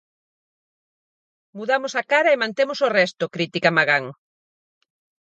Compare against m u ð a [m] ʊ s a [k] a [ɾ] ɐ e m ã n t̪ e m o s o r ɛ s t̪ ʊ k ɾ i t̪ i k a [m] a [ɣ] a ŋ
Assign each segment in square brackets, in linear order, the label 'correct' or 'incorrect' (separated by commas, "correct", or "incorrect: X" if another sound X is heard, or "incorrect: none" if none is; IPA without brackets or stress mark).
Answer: correct, correct, correct, correct, correct